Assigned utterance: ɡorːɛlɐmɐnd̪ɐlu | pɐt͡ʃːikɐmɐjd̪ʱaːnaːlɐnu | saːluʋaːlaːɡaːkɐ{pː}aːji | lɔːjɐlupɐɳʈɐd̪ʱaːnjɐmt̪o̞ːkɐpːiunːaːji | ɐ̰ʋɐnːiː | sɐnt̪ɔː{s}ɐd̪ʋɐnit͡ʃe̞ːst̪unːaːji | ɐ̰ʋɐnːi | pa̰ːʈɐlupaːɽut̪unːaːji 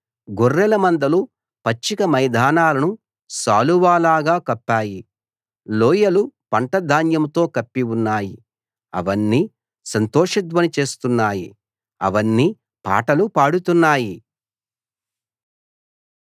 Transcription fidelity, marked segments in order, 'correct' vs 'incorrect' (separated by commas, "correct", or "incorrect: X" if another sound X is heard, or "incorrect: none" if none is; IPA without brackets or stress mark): correct, incorrect: ʂ